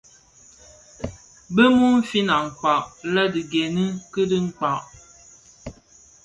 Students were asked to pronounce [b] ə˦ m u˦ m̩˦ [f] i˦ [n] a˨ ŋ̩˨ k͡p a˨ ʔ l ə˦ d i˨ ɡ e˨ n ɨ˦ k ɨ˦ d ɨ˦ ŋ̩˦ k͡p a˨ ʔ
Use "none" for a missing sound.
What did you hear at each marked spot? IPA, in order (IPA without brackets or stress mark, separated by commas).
b, f, n